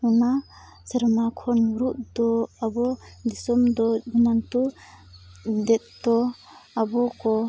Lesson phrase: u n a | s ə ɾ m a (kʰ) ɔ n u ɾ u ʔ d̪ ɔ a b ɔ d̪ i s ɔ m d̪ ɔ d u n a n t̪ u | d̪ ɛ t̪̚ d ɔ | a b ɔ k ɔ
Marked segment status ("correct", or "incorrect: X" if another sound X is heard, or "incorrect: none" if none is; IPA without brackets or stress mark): correct